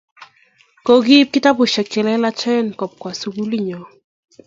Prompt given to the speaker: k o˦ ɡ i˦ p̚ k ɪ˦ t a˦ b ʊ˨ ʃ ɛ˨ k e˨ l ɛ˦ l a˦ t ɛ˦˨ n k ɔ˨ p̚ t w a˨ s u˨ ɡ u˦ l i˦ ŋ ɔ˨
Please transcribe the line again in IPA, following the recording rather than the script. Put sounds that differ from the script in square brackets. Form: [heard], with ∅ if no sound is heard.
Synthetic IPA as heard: k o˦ ɡ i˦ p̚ k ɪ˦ t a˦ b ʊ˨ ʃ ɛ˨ k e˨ l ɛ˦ l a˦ [t͡ʃ] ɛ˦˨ n k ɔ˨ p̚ [k] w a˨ s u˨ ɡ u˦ l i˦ [ɲ] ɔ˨

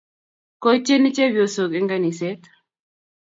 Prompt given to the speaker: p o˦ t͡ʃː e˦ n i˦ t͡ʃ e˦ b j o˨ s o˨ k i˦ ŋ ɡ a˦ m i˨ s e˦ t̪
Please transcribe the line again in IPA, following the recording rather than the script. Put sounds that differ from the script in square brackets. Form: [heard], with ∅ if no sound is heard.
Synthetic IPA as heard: [k] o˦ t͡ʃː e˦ n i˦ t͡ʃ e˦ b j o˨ s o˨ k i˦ ŋ ɡ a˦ [n] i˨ s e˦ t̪

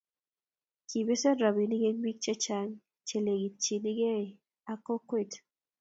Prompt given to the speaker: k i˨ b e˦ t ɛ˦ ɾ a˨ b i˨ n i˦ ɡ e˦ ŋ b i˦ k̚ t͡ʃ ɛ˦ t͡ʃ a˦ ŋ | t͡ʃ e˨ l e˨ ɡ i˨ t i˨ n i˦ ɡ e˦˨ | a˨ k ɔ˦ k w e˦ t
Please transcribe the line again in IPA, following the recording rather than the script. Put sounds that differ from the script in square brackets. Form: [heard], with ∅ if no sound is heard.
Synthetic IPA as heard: k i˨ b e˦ [s] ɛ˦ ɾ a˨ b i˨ n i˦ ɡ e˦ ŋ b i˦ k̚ t͡ʃ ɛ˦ t͡ʃ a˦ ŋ | t͡ʃ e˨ l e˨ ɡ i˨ [t͡ʃ] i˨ n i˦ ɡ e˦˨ | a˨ k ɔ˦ k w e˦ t

